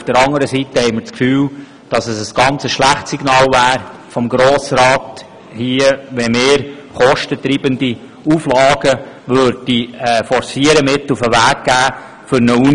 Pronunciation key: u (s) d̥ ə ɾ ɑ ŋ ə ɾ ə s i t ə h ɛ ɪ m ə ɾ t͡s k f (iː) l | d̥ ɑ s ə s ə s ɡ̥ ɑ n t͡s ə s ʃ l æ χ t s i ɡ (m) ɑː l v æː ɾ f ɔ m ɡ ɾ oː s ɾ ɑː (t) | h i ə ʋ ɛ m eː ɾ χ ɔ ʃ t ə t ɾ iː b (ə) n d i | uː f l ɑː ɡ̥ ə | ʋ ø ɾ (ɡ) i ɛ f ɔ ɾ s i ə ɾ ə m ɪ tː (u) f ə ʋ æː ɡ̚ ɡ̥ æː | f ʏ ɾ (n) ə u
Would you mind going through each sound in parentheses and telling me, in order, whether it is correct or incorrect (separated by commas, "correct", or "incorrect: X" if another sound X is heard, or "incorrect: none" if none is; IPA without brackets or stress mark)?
incorrect: f, incorrect: yː, incorrect: n, correct, correct, incorrect: d, correct, correct